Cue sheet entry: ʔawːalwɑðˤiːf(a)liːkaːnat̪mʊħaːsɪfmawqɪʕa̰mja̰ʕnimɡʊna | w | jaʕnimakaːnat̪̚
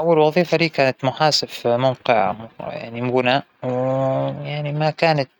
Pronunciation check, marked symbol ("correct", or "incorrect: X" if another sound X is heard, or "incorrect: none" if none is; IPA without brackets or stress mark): correct